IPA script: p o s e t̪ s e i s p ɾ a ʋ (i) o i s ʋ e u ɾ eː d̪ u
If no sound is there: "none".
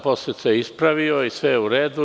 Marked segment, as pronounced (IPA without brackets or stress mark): i